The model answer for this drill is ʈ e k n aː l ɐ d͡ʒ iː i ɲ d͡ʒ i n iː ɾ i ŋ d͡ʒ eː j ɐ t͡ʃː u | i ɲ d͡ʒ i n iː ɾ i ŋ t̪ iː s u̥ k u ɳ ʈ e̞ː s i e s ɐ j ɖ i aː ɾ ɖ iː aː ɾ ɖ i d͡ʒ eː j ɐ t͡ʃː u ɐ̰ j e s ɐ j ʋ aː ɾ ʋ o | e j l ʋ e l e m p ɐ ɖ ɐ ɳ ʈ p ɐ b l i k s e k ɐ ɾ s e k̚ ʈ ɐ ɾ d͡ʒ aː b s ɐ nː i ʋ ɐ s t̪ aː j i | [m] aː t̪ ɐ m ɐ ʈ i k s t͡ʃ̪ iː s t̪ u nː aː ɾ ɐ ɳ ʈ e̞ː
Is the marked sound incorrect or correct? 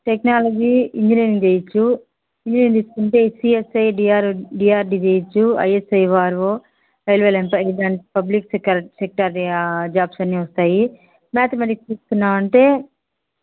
correct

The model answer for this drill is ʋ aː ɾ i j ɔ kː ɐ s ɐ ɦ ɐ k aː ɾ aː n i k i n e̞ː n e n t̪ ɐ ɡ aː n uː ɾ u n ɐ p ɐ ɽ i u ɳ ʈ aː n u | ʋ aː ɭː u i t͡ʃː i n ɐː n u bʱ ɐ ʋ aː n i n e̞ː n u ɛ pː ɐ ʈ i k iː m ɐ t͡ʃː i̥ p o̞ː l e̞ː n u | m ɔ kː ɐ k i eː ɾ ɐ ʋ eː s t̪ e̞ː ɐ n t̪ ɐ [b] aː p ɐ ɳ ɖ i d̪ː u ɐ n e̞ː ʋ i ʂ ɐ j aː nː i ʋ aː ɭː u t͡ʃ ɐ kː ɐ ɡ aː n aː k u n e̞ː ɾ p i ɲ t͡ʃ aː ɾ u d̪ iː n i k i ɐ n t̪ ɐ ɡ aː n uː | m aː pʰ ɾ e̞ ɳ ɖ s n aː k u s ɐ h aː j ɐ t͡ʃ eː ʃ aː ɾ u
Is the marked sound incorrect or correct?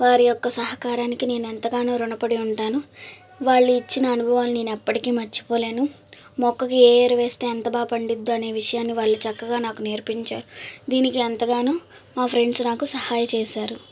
correct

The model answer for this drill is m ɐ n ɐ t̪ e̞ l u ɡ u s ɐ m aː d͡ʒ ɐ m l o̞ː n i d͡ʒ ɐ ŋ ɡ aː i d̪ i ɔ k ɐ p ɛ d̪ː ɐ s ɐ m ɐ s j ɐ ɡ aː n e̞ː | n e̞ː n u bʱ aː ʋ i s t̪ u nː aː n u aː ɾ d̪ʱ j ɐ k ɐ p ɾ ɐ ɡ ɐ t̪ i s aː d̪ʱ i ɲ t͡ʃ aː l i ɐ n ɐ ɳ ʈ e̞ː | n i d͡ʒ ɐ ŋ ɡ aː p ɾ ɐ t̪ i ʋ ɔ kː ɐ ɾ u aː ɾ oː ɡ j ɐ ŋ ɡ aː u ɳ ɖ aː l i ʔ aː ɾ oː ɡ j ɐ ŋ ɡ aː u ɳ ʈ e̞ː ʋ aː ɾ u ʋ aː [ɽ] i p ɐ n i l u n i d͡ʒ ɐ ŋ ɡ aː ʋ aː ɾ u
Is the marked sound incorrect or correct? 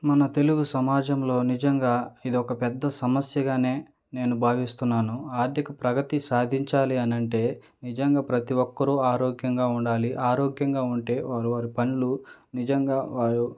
incorrect: ɾ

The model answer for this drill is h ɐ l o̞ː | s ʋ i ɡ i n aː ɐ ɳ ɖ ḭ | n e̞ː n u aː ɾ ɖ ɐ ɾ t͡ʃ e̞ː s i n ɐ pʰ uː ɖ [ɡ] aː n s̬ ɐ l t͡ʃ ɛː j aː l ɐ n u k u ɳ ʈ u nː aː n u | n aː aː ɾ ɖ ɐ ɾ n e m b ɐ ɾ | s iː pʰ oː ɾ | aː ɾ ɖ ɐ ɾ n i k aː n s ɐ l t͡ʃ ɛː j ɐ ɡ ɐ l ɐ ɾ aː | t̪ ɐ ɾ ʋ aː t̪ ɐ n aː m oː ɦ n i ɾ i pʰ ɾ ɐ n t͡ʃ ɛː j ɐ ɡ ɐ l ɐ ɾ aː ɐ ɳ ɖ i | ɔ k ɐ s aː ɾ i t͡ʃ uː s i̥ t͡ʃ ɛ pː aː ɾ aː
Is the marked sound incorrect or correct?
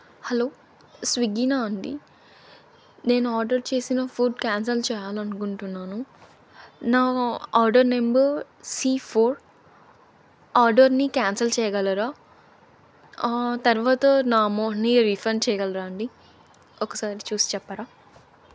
incorrect: k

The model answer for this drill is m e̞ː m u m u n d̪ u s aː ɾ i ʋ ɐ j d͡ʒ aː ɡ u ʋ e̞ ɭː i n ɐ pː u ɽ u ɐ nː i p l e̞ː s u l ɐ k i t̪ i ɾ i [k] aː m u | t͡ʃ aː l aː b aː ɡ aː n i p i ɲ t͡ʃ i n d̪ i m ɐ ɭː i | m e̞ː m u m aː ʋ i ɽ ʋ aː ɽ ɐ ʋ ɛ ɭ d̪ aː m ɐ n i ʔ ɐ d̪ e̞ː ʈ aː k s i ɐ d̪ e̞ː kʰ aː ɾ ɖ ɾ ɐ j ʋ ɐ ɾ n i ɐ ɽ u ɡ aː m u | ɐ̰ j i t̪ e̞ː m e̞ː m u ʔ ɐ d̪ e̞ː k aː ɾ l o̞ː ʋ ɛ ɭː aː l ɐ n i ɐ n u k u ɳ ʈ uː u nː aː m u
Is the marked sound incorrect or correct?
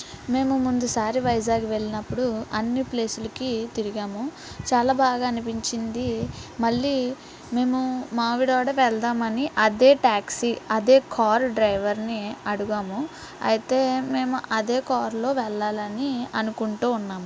incorrect: ɡ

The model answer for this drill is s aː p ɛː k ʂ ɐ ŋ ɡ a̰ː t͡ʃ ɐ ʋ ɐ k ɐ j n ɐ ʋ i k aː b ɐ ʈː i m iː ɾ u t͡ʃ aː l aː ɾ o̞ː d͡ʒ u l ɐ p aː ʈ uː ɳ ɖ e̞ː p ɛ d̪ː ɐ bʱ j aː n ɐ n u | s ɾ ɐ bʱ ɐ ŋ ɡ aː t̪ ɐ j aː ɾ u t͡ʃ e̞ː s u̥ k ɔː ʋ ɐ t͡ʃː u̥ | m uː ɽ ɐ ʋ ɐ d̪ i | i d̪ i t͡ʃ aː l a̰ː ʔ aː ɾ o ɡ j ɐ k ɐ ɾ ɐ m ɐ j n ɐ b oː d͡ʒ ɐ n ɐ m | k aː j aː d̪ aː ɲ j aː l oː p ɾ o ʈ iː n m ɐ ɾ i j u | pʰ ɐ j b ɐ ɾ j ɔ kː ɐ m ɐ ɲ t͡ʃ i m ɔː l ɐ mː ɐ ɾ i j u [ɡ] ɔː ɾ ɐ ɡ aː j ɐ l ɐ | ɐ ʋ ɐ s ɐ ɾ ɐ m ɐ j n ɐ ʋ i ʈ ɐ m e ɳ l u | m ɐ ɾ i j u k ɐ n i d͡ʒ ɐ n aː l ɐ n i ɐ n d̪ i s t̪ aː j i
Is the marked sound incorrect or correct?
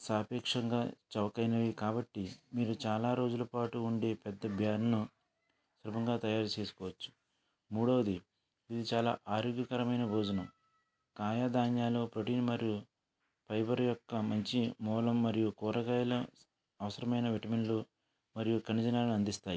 incorrect: k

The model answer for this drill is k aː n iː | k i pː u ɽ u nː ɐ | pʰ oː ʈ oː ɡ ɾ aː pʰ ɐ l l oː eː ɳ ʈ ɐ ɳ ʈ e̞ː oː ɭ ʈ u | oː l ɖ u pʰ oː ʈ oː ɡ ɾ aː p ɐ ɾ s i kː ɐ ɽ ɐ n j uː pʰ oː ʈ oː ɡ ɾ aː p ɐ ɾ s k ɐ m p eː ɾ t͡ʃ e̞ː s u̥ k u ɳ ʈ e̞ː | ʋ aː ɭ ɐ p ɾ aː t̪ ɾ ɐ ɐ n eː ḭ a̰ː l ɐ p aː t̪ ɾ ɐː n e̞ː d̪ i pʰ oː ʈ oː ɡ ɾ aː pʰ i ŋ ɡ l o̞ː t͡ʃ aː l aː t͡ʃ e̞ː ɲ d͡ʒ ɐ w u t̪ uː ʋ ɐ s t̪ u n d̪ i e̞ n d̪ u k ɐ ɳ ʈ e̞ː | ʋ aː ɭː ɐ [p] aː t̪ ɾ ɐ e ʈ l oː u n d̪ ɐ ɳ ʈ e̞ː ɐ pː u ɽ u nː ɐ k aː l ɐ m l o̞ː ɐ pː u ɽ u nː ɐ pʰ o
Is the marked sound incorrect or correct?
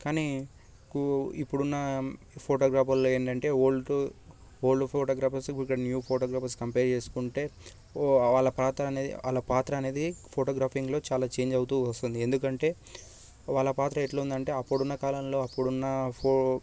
correct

